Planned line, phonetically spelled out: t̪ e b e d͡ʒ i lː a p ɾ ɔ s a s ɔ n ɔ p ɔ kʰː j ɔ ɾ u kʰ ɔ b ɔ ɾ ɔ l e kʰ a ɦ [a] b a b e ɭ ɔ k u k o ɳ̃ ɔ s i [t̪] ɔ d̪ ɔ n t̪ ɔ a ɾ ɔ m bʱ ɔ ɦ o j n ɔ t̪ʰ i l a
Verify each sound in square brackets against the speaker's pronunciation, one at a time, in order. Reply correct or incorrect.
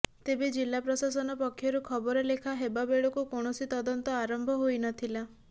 incorrect: e, correct

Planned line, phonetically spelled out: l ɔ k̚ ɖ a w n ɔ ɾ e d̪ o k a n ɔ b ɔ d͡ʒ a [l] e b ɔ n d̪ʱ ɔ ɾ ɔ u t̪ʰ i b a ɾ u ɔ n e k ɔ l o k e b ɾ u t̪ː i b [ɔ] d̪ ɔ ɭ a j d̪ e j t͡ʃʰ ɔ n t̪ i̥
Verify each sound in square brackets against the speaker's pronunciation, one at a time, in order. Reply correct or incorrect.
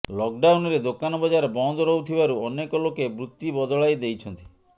incorrect: ɾ, correct

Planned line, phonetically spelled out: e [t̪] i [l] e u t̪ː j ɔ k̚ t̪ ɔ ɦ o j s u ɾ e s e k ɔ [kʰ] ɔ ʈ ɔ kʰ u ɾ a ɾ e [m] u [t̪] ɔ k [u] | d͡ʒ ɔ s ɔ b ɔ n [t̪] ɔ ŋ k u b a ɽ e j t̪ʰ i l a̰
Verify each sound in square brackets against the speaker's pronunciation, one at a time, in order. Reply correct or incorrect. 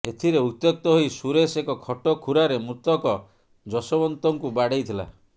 incorrect: t̪ʰ, incorrect: ɾ, correct, correct, correct, incorrect: ɔ, correct

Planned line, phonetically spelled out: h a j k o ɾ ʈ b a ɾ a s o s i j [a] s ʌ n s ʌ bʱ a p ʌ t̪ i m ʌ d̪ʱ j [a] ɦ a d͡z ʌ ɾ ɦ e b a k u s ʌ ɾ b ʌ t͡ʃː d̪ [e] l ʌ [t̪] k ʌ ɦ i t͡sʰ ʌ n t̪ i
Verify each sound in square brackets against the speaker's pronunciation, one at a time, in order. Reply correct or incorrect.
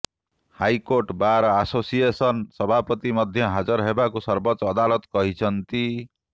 incorrect: e, incorrect: ʌ, incorrect: a, correct

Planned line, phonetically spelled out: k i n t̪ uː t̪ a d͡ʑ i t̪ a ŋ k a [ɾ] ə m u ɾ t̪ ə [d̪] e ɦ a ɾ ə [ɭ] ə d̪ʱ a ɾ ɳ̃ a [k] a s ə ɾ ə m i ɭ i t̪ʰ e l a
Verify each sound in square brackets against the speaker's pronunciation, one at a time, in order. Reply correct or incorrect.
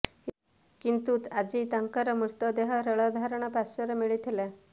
correct, correct, correct, incorrect: p

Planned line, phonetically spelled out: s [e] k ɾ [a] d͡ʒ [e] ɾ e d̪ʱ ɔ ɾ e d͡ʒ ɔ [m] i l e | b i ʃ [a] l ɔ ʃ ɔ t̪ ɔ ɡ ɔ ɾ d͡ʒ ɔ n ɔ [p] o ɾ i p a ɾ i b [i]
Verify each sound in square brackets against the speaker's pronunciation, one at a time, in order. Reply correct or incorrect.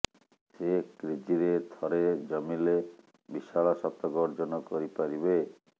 correct, incorrect: i, incorrect: i, correct, correct, incorrect: k, incorrect: e

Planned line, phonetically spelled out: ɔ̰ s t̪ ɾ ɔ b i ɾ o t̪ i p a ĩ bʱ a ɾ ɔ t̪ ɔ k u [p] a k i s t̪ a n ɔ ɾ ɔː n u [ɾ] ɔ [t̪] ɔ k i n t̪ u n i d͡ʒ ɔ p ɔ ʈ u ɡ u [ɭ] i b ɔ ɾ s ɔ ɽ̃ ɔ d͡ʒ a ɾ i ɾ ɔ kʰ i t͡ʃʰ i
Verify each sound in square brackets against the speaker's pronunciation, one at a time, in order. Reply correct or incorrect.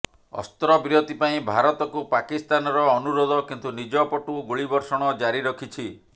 correct, correct, incorrect: d̪, correct

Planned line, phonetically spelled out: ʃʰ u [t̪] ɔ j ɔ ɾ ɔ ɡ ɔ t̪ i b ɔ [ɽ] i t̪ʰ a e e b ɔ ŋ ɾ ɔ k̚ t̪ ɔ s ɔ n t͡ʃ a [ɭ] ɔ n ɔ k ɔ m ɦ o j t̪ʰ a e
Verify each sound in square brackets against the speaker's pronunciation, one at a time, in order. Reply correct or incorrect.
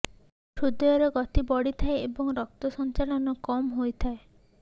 incorrect: d̪, correct, incorrect: l

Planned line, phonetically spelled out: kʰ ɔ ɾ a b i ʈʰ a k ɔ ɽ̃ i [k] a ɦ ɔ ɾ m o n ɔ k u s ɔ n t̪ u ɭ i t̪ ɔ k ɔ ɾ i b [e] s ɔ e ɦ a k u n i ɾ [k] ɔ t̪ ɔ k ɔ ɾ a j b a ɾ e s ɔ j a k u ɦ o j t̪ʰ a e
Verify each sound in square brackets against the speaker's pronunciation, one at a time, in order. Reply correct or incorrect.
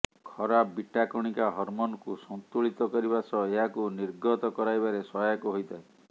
correct, incorrect: a, incorrect: ɡ

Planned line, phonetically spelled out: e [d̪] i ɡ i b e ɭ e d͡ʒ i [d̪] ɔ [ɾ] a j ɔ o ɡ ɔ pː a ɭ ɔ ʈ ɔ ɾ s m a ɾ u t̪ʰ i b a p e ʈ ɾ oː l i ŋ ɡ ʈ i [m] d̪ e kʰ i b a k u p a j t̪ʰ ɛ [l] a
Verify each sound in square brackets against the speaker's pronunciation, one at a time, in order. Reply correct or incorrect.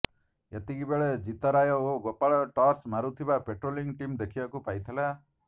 incorrect: t̪, incorrect: t̪, correct, correct, correct

